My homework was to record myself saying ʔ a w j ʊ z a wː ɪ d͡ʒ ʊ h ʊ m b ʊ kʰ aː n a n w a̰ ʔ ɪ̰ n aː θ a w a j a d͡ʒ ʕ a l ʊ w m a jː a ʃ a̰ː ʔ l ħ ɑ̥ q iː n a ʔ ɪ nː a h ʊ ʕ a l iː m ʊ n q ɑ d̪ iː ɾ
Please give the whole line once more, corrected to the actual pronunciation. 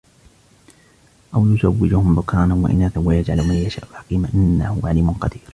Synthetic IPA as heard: ʔ a w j ʊ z a wː ɪ d͡ʒ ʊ h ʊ m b ʊ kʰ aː n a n w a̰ ʔ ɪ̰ n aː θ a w a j a d͡ʒ ʕ a l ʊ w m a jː a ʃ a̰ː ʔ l ħ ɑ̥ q iː m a ʔ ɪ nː a h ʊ ʕ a l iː m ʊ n q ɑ d̪ iː ɾ